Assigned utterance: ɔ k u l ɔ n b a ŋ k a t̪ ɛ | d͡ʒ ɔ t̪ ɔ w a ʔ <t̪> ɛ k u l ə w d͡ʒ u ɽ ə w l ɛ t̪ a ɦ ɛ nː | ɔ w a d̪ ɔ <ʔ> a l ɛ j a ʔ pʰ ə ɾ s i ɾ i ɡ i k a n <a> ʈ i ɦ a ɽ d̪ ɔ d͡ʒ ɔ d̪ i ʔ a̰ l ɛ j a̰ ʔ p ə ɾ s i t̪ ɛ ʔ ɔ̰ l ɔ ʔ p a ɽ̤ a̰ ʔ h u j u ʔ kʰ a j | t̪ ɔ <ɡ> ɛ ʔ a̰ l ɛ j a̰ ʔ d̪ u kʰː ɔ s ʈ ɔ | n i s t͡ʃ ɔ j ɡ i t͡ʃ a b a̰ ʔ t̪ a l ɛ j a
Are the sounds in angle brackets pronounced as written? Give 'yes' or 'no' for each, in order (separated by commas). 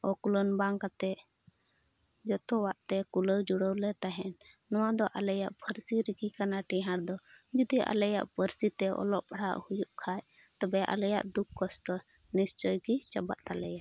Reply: yes, yes, yes, no